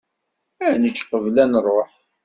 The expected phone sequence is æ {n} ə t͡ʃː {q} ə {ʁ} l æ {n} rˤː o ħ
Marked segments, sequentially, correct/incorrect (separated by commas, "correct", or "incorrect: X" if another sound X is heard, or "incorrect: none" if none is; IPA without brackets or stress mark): correct, correct, incorrect: v, correct